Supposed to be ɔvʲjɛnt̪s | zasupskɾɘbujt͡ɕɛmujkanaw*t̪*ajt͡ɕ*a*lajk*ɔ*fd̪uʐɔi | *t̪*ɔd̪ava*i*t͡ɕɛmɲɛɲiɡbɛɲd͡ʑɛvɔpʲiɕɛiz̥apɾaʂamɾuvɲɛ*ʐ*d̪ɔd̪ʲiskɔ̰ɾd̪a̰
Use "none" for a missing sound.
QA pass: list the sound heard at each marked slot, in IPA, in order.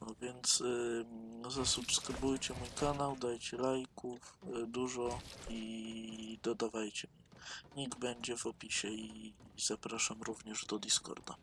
d̪, ɛ, u, d̪, j, ʐ

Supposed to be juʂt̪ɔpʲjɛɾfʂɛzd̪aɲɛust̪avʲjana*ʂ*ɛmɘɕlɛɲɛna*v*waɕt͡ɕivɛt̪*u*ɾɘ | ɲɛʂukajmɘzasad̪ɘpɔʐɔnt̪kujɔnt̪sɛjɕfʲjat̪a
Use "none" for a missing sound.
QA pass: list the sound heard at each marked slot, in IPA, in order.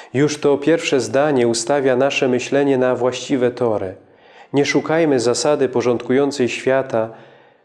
ʂ, v, ɔ

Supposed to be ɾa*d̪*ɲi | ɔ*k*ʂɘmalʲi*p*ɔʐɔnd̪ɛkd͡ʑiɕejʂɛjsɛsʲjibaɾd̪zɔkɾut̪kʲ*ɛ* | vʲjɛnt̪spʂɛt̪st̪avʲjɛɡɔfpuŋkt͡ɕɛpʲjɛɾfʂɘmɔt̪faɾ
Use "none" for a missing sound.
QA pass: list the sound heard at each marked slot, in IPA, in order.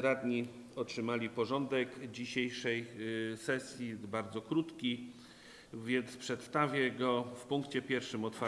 d̪, t, p, i

